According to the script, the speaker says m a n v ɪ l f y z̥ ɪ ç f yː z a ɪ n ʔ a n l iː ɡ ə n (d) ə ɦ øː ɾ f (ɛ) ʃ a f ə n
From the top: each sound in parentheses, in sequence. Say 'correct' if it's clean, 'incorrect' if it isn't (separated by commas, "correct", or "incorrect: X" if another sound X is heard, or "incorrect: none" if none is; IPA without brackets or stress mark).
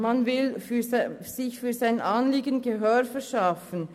incorrect: ɡ, correct